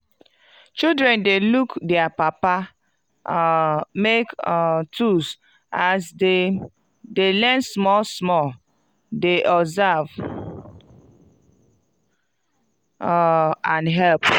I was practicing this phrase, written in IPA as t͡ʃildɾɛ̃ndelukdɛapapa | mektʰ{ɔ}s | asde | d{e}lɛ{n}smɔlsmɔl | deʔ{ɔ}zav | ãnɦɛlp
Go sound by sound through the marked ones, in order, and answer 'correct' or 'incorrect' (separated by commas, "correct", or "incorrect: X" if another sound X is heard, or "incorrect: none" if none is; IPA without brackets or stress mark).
incorrect: u, correct, correct, correct